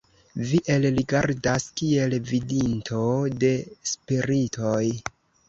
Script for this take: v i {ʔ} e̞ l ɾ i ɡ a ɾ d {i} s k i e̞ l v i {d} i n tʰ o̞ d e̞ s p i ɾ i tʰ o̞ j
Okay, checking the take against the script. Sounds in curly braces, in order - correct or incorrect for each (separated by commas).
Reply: correct, incorrect, correct